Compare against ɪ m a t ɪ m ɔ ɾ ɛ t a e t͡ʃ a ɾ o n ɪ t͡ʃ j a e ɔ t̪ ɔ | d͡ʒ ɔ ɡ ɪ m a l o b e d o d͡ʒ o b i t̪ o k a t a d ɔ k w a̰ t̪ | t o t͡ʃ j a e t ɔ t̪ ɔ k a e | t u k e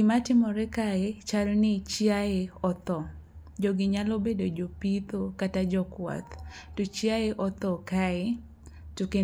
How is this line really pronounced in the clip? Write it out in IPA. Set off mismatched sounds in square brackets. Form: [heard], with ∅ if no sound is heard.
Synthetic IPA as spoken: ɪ m a t ɪ m ɔ ɾ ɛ [k] a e t͡ʃ a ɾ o n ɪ t͡ʃ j a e ɔ t̪ ɔ | d͡ʒ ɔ ɡ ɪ [ɲ] a l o b e d o d͡ʒ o [p] i t̪ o k a t a [d͡ʒ] ɔ k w a̰ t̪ | t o t͡ʃ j a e [ʔ] ɔ t̪ ɔ k a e | t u k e